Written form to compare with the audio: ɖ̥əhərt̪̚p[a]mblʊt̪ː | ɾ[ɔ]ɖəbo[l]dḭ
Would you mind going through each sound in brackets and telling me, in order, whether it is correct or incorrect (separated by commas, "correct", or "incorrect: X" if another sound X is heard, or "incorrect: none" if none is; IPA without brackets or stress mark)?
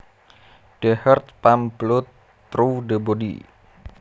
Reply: correct, incorrect: u, incorrect: none